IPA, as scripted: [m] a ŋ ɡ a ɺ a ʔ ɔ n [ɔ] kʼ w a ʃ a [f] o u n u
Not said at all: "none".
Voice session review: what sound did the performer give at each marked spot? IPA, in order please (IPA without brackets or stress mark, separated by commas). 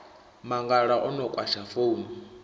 m, ɔ, f